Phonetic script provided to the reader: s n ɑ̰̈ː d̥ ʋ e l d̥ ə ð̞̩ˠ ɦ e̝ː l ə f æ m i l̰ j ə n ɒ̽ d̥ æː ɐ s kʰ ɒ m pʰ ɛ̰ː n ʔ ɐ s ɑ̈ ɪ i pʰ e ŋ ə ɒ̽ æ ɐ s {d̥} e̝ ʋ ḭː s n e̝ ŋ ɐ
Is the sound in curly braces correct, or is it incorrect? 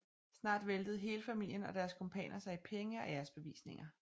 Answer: incorrect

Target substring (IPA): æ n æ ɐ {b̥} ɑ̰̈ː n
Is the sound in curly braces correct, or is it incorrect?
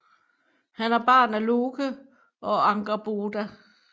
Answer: correct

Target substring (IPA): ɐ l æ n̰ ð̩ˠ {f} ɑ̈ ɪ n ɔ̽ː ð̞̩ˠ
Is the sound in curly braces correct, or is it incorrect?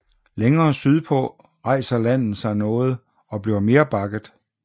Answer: incorrect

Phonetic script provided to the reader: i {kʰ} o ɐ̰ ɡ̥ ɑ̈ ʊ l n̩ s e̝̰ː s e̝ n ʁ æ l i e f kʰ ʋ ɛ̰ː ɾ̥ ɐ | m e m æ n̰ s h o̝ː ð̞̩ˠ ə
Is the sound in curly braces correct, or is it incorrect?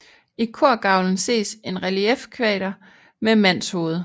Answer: correct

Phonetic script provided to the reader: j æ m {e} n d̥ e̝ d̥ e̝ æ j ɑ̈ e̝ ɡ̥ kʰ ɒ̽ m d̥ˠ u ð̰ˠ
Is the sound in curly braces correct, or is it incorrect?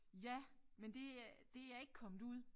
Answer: correct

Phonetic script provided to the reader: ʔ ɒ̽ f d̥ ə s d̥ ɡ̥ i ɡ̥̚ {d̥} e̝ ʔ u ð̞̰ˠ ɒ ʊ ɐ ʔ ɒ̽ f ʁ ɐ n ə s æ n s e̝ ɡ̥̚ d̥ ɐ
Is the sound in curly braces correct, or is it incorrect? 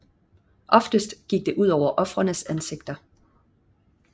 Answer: correct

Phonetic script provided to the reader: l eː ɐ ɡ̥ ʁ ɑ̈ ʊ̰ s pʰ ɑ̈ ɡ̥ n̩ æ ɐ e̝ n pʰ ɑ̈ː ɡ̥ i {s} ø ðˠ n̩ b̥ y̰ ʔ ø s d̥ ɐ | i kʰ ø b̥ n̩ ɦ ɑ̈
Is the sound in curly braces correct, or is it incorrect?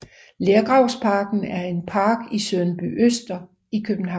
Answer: correct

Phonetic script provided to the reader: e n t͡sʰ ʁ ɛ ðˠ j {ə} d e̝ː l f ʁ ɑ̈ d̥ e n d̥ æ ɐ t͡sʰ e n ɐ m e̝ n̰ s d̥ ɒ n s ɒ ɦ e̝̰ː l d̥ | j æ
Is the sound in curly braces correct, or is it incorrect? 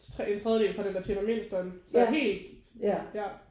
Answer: correct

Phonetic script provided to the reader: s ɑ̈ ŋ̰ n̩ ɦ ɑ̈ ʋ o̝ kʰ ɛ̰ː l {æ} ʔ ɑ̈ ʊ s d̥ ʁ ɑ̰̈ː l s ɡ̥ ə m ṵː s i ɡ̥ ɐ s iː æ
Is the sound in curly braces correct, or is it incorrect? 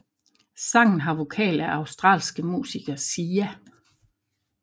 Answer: correct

